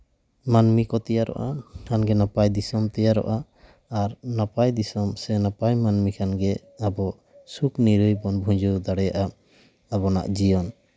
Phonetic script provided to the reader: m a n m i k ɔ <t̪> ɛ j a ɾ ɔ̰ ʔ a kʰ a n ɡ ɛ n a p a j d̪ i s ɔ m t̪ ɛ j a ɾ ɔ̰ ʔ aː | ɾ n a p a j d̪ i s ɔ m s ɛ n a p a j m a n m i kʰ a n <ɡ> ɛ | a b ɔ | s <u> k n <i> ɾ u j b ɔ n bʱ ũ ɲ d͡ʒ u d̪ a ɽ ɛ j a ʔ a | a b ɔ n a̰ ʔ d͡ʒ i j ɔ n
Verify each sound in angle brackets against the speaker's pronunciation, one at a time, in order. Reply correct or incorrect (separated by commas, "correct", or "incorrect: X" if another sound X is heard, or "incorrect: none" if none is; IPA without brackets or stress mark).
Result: correct, correct, correct, correct